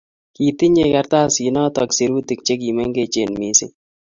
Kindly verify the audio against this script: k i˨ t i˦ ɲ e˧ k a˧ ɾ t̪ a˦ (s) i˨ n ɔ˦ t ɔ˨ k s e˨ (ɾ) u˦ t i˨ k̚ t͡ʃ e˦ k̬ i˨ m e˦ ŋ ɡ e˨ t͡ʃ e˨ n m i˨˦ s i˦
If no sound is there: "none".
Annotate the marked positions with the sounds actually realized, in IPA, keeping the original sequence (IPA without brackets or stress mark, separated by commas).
s, ɾ